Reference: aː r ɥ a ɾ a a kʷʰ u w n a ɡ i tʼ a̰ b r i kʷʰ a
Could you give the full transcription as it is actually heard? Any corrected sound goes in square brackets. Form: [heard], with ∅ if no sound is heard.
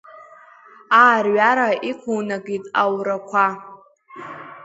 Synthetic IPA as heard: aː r ɥ a ɾ a [i] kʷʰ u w n a ɡ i tʼ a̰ [w] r [a] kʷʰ a